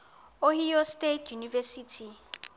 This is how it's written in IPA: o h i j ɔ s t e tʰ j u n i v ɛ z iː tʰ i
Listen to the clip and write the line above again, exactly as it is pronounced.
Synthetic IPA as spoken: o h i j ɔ s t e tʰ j u n i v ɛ s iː tʰ i